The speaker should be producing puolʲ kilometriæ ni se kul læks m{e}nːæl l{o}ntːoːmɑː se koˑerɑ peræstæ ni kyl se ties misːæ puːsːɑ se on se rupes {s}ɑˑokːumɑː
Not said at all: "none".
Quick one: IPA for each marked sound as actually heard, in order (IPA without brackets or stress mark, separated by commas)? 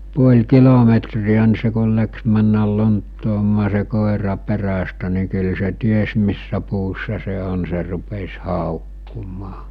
æ, o, h